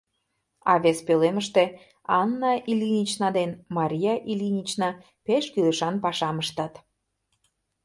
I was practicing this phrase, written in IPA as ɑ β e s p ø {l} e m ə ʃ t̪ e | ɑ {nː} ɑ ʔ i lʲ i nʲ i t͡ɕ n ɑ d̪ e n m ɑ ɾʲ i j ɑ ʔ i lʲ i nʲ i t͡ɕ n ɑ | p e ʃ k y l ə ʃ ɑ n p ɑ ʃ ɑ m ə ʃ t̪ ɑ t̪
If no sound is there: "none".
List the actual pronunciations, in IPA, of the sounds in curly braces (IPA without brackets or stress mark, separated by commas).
l, nː